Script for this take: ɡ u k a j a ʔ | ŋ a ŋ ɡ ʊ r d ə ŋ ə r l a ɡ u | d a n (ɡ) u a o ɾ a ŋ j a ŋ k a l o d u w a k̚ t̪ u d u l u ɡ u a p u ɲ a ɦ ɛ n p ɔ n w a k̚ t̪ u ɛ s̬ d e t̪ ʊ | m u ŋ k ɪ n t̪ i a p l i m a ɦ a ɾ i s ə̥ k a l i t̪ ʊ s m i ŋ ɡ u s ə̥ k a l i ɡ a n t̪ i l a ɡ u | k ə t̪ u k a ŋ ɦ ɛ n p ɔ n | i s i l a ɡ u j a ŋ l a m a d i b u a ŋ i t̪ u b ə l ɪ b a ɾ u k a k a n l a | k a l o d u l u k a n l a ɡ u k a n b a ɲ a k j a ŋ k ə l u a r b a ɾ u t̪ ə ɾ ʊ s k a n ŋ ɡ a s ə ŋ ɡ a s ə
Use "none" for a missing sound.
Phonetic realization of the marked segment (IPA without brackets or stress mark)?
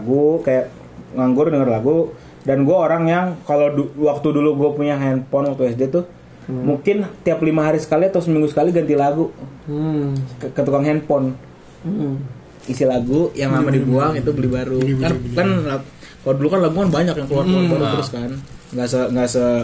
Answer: ɡ